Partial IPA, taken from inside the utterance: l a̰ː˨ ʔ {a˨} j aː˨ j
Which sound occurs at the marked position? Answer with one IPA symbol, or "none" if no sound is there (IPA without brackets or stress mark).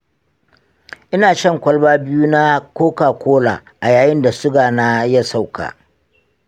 a˨